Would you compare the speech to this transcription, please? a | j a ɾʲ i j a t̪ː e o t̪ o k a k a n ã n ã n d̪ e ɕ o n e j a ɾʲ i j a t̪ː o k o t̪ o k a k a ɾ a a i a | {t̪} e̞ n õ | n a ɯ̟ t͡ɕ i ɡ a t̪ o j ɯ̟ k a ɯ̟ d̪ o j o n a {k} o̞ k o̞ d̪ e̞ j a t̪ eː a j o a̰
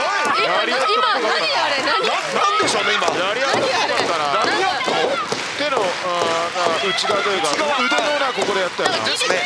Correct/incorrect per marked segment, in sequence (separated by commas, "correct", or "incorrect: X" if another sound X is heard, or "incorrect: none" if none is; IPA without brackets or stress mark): correct, correct